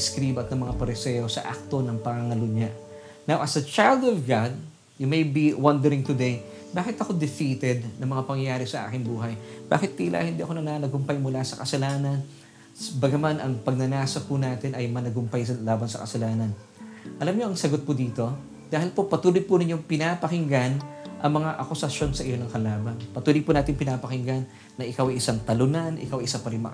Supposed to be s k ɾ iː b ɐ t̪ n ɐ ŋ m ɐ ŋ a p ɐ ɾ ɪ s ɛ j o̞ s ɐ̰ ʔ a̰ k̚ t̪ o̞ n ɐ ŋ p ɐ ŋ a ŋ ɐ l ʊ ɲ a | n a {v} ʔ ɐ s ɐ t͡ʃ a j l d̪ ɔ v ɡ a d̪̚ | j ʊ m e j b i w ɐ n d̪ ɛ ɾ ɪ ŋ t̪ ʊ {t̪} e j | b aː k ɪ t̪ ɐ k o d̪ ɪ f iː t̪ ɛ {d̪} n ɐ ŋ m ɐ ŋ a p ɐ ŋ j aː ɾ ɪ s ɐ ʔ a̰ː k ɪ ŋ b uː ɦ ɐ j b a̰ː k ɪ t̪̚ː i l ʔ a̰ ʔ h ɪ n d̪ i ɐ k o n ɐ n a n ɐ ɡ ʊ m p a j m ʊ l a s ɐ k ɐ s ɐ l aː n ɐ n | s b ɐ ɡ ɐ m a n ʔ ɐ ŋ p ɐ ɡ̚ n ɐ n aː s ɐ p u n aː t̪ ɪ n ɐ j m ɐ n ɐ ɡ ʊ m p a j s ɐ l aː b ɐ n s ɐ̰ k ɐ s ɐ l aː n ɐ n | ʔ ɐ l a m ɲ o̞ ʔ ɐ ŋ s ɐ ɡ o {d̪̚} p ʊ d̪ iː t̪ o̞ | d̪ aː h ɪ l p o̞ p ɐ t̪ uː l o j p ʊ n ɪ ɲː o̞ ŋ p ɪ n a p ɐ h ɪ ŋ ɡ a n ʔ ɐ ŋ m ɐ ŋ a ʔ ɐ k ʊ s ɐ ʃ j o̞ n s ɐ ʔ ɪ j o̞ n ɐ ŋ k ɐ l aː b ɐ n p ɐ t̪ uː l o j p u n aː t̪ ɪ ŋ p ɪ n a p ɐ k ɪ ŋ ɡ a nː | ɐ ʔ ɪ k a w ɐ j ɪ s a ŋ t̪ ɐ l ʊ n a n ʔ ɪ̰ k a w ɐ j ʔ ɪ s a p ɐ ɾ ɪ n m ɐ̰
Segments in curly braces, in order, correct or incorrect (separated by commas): incorrect, incorrect, correct, incorrect